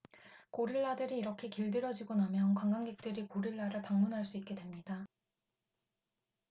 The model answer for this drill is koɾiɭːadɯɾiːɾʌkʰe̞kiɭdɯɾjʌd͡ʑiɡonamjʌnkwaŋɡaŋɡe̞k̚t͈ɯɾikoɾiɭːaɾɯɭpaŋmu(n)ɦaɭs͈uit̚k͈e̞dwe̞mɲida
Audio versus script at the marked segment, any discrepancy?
no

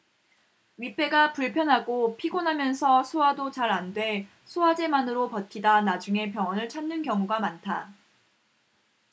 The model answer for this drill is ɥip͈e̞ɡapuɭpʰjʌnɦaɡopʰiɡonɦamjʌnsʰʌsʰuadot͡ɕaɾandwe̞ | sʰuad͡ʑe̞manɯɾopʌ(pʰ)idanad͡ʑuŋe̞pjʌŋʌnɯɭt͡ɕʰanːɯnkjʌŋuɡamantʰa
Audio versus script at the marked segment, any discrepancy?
yes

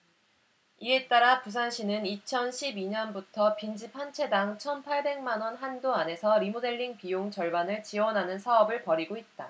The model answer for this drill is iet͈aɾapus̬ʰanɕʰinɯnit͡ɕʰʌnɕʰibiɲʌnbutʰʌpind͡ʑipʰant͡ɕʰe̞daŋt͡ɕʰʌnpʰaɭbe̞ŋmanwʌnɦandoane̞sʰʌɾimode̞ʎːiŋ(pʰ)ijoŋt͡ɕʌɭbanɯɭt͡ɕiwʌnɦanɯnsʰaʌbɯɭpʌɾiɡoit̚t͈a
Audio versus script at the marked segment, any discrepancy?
yes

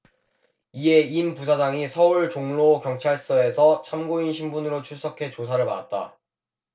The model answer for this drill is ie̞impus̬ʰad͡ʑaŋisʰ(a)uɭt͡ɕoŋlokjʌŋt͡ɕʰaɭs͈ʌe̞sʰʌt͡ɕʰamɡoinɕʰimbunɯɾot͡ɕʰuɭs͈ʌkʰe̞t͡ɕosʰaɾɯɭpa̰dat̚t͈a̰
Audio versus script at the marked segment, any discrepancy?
yes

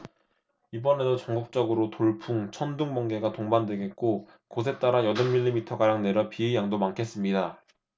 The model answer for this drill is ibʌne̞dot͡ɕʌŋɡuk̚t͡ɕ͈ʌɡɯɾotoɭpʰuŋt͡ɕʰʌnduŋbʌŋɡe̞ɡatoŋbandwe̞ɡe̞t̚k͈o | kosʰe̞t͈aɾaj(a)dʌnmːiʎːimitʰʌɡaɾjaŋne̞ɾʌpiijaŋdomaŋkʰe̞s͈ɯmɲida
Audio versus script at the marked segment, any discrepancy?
yes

